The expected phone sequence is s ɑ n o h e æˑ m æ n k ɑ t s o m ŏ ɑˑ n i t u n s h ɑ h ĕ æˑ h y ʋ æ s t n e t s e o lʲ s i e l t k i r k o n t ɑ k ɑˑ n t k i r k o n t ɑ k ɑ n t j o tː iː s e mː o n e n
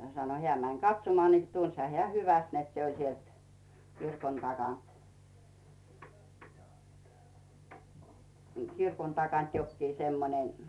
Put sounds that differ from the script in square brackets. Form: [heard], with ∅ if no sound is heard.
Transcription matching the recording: s ɑ n o h e æˑ m æ n k ɑ t s o m ŏ ɑˑ n i t u n s h ɑ h ĕ æˑ h y ʋ æ s t n e t s e o lʲ s i e l t k i r k o n t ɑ k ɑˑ n t k i r k o n t ɑ k ɑ n t j o [kː] iː s e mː o n e n

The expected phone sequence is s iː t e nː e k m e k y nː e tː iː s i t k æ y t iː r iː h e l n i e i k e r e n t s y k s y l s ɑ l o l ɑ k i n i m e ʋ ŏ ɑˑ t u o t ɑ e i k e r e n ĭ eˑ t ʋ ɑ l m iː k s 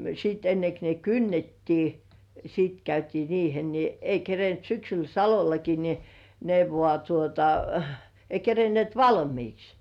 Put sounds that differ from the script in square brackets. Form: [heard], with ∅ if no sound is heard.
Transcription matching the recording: s iː t e nː e k [n] e k y nː e tː iː s i t k æ y t iː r iː h e l n i e i k e r e n t s y k s y l s ɑ l o l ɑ k i n i [n] e ʋ ŏ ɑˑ t u o t ɑ e i k e r e n ĭ eˑ t ʋ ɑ l m iː k s

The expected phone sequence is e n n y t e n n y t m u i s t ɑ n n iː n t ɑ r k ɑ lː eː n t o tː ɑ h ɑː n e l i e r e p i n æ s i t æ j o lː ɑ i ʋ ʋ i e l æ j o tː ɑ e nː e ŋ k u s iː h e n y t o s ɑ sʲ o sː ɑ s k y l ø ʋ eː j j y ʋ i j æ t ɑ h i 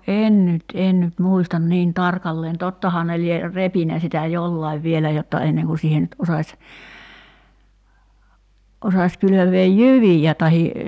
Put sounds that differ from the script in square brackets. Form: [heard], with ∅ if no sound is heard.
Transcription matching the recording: e n n y t e n n y t m u i s t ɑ n n iː n t ɑ r k ɑ lː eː n t o tː ɑ h ɑː n e l i e r e p i n æ s i t æ j o lː ɑ i ʋ ʋ i e l æ j o tː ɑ e nː e ŋ k u s iː h e n y t o s ɑ sʲ o [s] ɑ s k y l ø ʋ eː j j y ʋ i j æ t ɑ h i

